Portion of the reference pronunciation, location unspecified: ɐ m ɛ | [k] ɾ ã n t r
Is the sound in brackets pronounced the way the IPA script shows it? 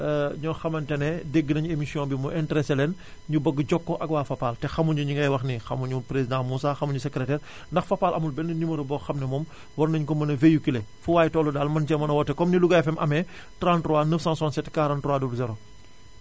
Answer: no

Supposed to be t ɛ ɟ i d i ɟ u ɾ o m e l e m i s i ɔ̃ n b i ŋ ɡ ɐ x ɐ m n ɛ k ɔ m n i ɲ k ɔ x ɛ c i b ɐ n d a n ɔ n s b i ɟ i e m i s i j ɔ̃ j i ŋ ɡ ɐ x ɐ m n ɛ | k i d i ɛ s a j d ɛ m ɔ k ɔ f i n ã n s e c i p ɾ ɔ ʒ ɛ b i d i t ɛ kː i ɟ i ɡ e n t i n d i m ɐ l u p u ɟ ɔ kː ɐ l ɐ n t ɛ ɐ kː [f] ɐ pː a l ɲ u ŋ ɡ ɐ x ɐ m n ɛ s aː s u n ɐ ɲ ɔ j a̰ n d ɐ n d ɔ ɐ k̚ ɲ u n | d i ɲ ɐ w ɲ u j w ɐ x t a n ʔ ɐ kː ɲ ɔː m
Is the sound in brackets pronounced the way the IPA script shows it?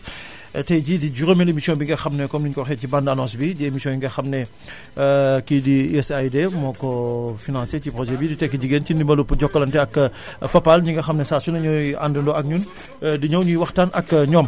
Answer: yes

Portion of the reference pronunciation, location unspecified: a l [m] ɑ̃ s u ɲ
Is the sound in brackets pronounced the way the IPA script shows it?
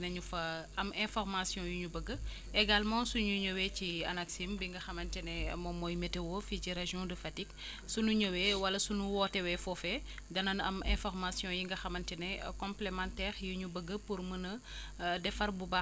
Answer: yes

